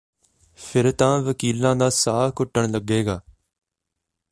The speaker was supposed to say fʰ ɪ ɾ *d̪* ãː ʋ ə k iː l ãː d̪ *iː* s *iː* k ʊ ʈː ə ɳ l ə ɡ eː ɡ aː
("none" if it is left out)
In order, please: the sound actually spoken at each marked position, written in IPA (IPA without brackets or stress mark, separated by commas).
t̪, aː, aː